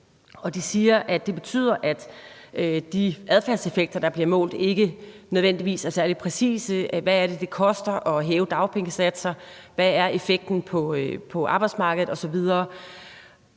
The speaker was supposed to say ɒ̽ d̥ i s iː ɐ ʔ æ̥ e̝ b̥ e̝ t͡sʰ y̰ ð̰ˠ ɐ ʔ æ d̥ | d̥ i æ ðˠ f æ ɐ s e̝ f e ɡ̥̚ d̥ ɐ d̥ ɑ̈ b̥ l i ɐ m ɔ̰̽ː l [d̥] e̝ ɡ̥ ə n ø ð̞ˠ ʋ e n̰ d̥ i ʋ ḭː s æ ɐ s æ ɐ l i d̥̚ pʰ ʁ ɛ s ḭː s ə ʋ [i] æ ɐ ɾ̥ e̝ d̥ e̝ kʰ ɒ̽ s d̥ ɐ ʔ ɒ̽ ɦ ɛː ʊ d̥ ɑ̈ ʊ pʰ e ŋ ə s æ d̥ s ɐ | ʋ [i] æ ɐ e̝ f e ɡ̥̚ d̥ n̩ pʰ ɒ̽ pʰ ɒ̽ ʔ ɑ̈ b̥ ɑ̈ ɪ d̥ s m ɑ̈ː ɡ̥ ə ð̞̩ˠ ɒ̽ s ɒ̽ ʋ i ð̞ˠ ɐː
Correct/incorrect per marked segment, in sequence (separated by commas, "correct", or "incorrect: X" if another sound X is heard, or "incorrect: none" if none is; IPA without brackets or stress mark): correct, incorrect: æ, incorrect: æ